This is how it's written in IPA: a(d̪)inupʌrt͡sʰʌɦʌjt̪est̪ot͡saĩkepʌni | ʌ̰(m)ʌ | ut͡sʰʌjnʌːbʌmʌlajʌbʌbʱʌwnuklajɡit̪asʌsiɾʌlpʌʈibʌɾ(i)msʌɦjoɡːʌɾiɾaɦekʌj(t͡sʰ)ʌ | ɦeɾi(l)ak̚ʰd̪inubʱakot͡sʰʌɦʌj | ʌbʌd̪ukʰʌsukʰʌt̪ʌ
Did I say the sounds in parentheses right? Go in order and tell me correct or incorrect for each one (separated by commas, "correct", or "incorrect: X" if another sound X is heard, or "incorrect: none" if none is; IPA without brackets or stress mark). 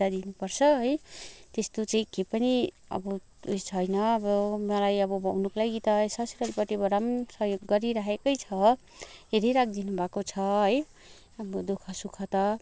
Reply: correct, incorrect: b, incorrect: a, correct, incorrect: ɾ